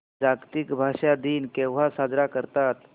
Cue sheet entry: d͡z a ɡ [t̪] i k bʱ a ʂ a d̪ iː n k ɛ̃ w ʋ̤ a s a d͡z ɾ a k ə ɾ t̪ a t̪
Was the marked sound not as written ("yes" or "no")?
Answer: no